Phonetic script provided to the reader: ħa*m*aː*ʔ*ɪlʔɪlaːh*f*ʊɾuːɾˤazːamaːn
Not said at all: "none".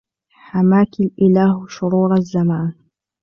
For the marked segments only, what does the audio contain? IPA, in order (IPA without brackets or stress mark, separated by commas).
m, k, ʃ